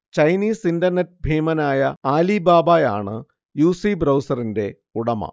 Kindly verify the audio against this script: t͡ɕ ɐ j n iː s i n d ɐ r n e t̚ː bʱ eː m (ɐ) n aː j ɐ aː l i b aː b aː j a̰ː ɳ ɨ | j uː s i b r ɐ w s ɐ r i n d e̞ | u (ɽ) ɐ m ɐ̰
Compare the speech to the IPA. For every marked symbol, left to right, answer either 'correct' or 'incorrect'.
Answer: correct, correct

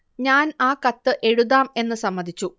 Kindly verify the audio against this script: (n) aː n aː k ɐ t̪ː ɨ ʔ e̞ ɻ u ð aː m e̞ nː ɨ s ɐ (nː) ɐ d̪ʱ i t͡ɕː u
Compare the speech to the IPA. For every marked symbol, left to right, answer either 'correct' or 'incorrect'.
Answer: incorrect, incorrect

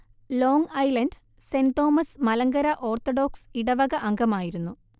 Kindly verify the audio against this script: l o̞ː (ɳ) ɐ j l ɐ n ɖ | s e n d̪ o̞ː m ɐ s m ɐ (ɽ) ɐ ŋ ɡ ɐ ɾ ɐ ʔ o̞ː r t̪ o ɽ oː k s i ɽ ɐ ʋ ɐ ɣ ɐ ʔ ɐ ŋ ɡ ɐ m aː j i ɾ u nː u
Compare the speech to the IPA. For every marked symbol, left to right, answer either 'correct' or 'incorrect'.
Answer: incorrect, incorrect

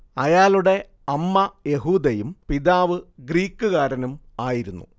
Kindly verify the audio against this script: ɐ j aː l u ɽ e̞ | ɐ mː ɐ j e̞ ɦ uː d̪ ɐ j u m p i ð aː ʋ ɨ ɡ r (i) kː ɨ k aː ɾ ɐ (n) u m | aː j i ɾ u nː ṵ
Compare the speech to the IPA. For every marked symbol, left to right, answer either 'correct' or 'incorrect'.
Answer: incorrect, correct

